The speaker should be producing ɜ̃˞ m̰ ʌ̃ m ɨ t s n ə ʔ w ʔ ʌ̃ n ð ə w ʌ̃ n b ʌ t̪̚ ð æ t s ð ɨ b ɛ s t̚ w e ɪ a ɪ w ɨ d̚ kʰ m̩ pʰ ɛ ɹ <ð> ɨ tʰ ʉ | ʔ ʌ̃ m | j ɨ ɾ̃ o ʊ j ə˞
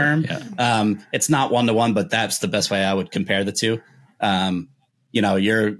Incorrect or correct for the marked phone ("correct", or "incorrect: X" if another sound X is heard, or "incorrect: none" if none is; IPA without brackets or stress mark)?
correct